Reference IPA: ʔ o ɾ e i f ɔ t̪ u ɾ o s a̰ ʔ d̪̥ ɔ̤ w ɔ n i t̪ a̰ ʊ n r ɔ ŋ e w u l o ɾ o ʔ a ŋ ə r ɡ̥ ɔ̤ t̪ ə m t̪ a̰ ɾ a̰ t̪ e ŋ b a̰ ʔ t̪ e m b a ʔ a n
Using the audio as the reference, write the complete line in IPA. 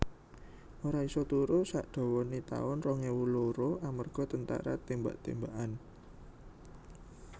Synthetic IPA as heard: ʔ o ɾ a i s ɔ t̪ u ɾ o s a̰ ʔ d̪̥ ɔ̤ w ɔ n i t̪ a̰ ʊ n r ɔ ŋ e w u l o ɾ o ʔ a m ə r ɡ̥ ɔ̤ t̪ ə n t̪ a̰ ɾ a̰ t̪ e m b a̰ ʔ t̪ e m b a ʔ a n